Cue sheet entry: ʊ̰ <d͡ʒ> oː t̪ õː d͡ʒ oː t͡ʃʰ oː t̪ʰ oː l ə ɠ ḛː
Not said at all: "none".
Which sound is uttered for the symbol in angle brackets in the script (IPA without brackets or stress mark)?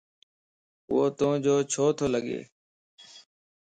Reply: none